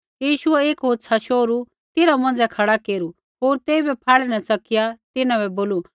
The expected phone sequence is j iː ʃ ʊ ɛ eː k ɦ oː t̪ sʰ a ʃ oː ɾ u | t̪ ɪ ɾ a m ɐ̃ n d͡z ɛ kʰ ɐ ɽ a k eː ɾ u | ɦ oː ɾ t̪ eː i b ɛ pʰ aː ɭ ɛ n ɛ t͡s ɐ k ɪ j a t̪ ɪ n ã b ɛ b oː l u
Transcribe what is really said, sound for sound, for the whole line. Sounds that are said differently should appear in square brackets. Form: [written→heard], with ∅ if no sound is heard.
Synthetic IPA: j iː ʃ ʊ ɛ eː k ɦ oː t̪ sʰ a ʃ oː ɾ u | t̪ ɪ ɾ a m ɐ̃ n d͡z ɛ kʰ ɐ ɽ a k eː ɾ u | ɦ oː ɾ t̪ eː i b ɛ pʰ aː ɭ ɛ n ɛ t͡s ɐ k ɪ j a t̪ ɪ n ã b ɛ b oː l u